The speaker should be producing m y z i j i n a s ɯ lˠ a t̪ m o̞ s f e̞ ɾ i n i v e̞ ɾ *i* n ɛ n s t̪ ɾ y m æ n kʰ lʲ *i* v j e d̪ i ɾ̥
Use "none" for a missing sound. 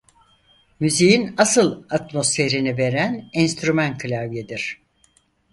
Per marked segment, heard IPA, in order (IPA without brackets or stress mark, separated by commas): æ, a